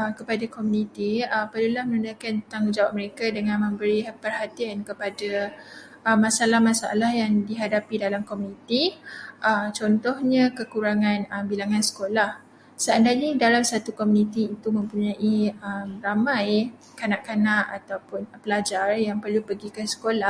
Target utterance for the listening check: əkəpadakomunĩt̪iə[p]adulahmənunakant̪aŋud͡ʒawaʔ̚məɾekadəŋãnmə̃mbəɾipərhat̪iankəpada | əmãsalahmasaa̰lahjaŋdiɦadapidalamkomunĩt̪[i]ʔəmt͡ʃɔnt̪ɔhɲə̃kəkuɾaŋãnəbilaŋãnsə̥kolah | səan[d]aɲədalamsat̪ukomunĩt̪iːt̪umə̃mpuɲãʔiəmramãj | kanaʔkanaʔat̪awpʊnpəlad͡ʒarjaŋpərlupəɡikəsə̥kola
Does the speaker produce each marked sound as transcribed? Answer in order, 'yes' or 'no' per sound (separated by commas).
yes, yes, yes